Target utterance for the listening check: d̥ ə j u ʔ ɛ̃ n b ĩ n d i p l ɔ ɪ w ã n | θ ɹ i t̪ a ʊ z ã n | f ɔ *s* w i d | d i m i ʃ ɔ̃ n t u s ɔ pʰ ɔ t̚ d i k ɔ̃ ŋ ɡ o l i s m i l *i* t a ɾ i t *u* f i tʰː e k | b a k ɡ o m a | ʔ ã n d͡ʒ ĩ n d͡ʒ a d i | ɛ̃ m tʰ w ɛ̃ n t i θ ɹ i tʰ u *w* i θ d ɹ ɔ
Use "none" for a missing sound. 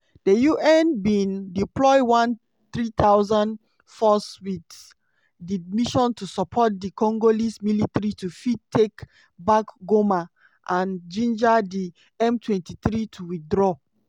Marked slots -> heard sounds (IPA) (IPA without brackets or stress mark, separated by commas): s, i, u, w